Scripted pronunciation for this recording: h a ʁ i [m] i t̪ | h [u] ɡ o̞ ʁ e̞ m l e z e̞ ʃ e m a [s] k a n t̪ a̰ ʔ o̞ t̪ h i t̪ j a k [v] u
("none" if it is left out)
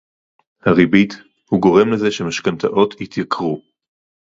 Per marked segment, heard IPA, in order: b, u, ʃ, ʁ

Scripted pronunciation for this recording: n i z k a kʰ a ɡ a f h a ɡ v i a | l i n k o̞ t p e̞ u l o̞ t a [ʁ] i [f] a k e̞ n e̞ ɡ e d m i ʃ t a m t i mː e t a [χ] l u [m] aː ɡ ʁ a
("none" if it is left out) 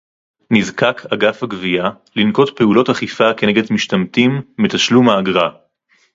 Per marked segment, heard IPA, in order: χ, f, ʃ, m

